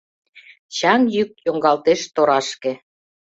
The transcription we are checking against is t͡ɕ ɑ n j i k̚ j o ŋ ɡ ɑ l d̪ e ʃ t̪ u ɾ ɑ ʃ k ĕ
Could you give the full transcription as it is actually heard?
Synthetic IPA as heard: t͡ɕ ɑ ŋ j y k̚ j o ŋ ɡ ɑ l t̪ e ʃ t̪ o ɾ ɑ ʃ k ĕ